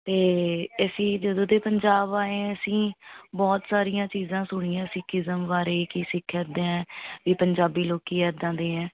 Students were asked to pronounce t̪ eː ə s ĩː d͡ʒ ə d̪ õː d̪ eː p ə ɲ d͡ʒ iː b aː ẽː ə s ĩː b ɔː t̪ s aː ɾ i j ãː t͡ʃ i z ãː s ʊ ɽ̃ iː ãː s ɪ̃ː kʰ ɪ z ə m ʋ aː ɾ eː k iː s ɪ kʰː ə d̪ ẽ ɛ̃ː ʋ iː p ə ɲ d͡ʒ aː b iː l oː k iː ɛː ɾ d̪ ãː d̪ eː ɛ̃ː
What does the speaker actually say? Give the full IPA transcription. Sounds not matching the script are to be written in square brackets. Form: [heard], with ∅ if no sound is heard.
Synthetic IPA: t̪ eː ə s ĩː d͡ʒ ə d̪ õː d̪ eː p ə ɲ d͡ʒ [aː] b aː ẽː ə s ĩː b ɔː t̪ s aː ɾ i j ãː t͡ʃ [iː] z ãː s ʊ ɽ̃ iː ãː s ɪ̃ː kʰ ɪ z ə m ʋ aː ɾ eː k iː s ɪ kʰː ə d̪ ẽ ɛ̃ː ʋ iː p ə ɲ d͡ʒ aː b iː l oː k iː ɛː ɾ d̪ ãː d̪ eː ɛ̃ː